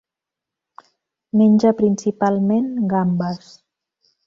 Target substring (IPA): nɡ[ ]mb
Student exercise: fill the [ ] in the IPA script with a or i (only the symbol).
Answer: a